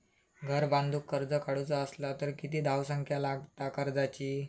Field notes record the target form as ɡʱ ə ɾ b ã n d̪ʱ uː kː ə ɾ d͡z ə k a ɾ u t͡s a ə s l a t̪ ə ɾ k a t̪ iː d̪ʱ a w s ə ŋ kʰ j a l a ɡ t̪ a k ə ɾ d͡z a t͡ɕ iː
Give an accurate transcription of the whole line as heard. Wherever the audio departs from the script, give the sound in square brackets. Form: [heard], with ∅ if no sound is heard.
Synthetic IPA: ɡʱ ə ɾ b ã n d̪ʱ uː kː ə ɾ d͡z ə k a [ɽ] u t͡s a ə s l a t̪ ə ɾ k [i] t̪ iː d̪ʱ a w s ə ŋ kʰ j a l a ɡ t̪ a k ə ɾ d͡z a t͡ɕ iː